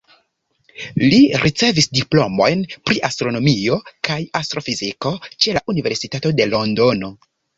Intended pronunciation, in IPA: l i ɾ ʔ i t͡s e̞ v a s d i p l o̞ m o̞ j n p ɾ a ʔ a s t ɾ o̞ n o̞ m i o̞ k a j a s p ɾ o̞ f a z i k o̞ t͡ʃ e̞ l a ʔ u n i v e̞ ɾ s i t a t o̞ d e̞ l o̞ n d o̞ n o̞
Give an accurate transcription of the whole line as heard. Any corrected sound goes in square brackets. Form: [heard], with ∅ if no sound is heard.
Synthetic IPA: l i ɾ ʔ i t͡s e̞ v [i] s d i p l o̞ m o̞ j n p ɾ [i] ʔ a s t ɾ o̞ n o̞ m i o̞ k a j a s [t] ɾ o̞ f [i] z i k o̞ t͡ʃ e̞ l a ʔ u n i v e̞ ɾ s i t a t o̞ d e̞ l o̞ n d o̞ n o̞

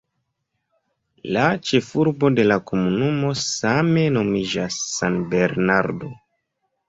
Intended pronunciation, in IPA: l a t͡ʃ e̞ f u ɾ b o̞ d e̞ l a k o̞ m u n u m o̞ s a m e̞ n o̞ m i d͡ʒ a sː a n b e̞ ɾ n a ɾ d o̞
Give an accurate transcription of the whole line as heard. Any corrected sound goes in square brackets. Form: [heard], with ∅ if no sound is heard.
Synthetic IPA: l a t͡ʃ e̞ f u ɾ b o̞ d e̞ l a k o̞ m u n u m o̞ s a m e̞ n o̞ m i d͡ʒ a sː a n b e̞ ɾ n a ɾ d o̞

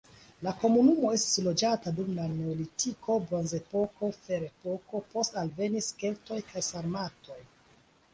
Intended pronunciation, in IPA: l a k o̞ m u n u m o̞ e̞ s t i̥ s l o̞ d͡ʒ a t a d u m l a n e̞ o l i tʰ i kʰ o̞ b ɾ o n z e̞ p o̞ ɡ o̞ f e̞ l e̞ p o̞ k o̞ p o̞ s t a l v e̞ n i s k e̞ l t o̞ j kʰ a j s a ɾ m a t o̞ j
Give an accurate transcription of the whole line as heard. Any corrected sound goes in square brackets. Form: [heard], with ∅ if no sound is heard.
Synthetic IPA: l a k o̞ m u n u m o̞ e̞ s t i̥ s l o̞ d͡ʒ a t a d u m l a n e̞ o l i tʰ i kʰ o̞ b ɾ o n z e̞ p o̞ [k] o̞ f e̞ [ɾ] e̞ p o̞ k o̞ p o̞ s t a l v e̞ n i s k e̞ l t o̞ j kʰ a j s a ɾ m a t o̞ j

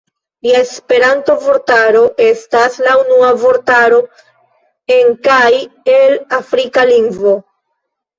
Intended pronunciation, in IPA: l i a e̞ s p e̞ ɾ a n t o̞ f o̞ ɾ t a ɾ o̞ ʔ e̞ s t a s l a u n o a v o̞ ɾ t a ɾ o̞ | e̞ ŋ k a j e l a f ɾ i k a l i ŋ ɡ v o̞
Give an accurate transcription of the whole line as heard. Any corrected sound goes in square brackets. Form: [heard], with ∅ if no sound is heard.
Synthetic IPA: l i a e̞ s p e̞ ɾ a n t o̞ [v] o̞ ɾ t a ɾ o̞ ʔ e̞ s t a s l a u n [u] a v o̞ ɾ t a ɾ o̞ | e̞ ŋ k a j e l a f ɾ i k a l i ŋ ɡ v o̞

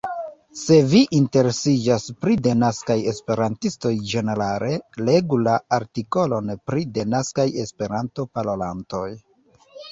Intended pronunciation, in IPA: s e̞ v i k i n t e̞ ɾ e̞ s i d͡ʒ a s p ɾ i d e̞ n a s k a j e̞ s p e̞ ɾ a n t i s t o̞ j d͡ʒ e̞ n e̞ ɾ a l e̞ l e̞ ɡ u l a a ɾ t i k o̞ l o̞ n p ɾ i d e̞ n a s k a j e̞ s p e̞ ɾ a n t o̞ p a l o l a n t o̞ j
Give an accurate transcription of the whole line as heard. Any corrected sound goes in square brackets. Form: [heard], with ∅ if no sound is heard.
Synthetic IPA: s e̞ v i [ʔ] i n t e̞ ɾ e̞ s i d͡ʒ a s p ɾ i d e̞ n a s k a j e̞ s p e̞ ɾ a n t i s t o̞ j d͡ʒ e̞ n e̞ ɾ a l e̞ l e̞ ɡ u l a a ɾ t i k o̞ l o̞ n p ɾ i d e̞ n a s k a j e̞ s p e̞ ɾ a n t o̞ p a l o l a n t o̞ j

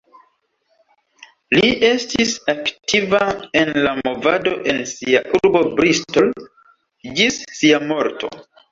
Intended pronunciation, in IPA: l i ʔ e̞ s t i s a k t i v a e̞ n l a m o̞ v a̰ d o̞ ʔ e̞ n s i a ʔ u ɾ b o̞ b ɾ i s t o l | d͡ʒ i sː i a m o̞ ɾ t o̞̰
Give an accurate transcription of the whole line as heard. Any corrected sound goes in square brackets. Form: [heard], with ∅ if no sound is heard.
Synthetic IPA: l i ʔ e̞ s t i s a k t i v a e̞ n l a m o̞ v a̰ d o̞ ʔ e̞ n s i a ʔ u ɾ b o̞ b ɾ i s t o l | d͡ʒ i sː i a m o̞ ɾ t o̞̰

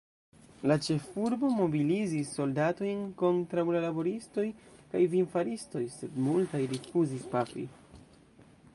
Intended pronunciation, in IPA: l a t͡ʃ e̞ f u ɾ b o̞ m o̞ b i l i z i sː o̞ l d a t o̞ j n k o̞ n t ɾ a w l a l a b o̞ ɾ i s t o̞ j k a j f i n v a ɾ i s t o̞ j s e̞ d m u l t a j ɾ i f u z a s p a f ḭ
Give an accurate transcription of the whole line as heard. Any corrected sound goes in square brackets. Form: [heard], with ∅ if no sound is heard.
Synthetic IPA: l a t͡ʃ e̞ f u ɾ b o̞ m o̞ b i l i z i sː o̞ l d a t o̞ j n k o̞ n t ɾ a w l a l a b o̞ ɾ i s t o̞ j k a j [v] i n [f] a ɾ i s t o̞ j s e̞ d m u l t a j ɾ i f u z [i] s p a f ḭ

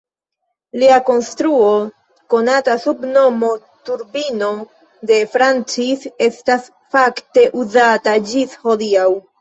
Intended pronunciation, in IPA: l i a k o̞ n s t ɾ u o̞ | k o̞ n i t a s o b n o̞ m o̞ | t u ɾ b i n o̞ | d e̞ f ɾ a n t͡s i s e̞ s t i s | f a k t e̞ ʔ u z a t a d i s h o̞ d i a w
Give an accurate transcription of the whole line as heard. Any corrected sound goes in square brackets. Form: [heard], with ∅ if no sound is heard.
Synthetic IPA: l i a k o̞ n s t ɾ u o̞ | k o̞ n [a] t a s [u] b n o̞ m o̞ | t u ɾ b i n o̞ | d e̞ f ɾ a n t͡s i s e̞ s t [a] s | f a k t e̞ ʔ u z a t a [d͡ʒ] i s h o̞ d i a w

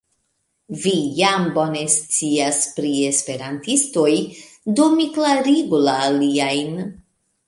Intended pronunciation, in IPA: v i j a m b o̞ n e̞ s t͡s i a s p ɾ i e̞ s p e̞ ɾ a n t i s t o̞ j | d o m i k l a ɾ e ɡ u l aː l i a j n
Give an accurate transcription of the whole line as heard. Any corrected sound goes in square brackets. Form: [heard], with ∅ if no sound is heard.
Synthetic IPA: v i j a m b o̞ n e̞ s t͡s i a s p ɾ i e̞ s p e̞ ɾ a n t i s t o̞ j | d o m i k l a ɾ [i] ɡ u l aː l i a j n

